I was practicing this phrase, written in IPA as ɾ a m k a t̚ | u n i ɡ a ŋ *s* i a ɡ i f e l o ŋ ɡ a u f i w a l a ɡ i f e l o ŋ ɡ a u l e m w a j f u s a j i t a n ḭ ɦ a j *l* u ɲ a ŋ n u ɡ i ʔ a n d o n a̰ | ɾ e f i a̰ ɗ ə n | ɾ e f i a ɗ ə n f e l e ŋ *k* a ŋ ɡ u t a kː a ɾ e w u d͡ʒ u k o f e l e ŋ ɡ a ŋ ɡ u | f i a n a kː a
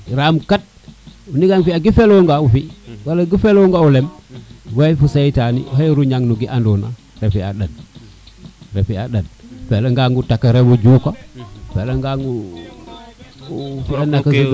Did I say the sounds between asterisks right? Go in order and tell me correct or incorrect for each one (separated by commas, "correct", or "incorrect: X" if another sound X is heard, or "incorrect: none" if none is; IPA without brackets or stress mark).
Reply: incorrect: f, incorrect: ɾ, incorrect: ɡ